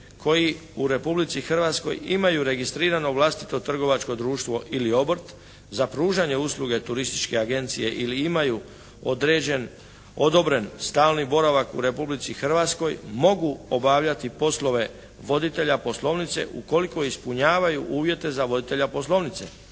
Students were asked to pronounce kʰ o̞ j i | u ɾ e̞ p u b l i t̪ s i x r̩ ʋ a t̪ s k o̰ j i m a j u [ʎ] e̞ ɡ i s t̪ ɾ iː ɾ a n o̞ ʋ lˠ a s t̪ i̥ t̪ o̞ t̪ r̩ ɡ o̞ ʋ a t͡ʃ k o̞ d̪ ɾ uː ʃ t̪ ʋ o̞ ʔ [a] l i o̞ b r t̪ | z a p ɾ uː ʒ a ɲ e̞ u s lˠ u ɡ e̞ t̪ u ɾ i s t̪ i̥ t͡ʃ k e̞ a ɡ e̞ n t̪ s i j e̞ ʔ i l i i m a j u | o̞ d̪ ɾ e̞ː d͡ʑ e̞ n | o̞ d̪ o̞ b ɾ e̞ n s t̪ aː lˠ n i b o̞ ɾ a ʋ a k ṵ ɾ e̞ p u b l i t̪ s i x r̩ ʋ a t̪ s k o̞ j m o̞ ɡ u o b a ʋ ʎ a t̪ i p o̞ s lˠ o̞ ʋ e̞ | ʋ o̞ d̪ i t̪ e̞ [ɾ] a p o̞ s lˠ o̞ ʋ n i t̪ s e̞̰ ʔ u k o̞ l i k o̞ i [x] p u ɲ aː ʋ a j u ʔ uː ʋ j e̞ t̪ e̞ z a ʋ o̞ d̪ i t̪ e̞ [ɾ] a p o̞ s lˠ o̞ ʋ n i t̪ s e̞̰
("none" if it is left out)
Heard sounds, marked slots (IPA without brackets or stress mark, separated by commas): ɾ, i, ʎ, s, ʎ